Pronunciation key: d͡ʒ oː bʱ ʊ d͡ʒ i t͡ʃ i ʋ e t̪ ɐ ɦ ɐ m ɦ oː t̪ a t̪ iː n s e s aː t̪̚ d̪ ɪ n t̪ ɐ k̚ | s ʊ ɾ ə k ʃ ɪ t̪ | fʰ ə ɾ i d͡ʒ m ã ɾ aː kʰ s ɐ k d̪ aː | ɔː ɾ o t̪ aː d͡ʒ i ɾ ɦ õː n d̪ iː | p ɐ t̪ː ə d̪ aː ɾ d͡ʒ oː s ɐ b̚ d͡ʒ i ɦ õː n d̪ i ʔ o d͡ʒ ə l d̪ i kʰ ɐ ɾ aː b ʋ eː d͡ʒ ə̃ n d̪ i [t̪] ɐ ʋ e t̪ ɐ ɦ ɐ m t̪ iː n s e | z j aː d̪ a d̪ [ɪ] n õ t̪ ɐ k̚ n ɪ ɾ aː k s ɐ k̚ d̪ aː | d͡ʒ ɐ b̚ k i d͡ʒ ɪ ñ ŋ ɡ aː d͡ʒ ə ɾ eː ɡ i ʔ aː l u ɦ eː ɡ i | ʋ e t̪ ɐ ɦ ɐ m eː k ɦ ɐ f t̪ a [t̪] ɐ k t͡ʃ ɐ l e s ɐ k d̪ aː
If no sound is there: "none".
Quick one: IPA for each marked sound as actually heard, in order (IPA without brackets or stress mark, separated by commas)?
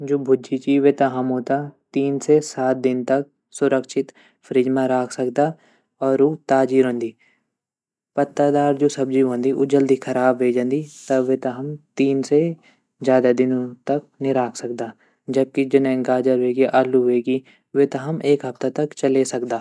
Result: t̪, ɪ, t̪